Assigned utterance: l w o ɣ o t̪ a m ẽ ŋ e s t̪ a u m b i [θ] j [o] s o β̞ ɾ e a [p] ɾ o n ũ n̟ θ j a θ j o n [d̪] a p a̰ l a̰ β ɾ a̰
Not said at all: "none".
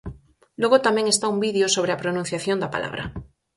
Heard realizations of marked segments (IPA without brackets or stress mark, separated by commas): ð, o, p, d̪